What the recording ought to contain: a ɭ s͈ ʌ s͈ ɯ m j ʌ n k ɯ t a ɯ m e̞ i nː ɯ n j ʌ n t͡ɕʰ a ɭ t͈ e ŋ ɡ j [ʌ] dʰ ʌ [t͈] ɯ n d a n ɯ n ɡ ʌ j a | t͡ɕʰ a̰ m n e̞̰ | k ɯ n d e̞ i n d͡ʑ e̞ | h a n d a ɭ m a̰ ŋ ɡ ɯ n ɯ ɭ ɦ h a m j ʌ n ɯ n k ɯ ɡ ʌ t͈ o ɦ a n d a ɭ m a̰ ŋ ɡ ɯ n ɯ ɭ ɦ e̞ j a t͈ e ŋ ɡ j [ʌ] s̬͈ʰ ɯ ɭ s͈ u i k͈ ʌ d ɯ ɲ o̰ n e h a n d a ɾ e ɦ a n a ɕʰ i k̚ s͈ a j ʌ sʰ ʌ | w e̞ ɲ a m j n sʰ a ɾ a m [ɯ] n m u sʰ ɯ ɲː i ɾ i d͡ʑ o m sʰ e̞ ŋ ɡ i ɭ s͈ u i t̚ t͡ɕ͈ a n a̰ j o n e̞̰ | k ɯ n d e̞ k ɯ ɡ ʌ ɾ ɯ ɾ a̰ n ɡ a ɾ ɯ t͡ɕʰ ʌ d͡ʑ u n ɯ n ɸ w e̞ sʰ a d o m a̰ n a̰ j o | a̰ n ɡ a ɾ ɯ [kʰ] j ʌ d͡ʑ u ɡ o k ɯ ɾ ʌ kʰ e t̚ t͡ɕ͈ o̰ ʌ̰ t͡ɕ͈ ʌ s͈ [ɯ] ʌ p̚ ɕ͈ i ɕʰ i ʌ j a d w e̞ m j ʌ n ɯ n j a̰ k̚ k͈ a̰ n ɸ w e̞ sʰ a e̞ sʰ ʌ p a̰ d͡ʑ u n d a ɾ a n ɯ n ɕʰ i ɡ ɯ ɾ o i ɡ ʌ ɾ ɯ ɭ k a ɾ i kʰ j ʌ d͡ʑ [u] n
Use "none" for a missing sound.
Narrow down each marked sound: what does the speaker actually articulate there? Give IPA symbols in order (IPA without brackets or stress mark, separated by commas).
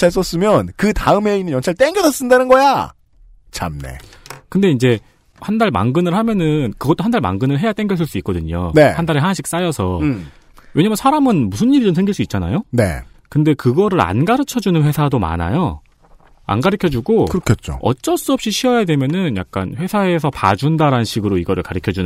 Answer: ʌ, s͈, ʌ, ɯ, kʰ, u, u